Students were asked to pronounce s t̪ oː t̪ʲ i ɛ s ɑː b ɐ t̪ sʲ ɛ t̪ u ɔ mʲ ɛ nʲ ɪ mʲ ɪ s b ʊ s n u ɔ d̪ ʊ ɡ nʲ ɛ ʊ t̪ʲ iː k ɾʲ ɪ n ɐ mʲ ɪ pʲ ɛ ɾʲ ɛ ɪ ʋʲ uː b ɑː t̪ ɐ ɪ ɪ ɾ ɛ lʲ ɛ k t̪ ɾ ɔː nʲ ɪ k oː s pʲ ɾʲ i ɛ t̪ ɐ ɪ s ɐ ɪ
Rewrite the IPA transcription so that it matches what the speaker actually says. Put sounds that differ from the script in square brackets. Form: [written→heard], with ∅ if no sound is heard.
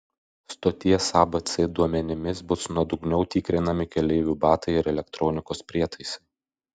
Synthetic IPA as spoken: s t̪ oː t̪ʲ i ɛ s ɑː b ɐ t̪ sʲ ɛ [t̪→d̪] u ɔ mʲ ɛ nʲ ɪ mʲ ɪ s b ʊ s n u ɔ d̪ ʊ ɡ nʲ ɛ ʊ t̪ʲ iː k ɾʲ ɪ n ɐ mʲ ɪ [pʲ→kʲ] ɛ [ɾʲ→lʲ] ɛ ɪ ʋʲ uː b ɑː t̪ ɐ ɪ ɪ ɾ ɛ lʲ ɛ k t̪ ɾ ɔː nʲ ɪ k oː s pʲ ɾʲ i ɛ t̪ ɐ ɪ s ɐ ɪ